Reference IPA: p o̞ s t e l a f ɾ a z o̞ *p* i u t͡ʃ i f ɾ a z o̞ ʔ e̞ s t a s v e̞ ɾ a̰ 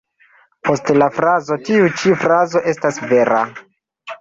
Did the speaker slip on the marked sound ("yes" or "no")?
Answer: yes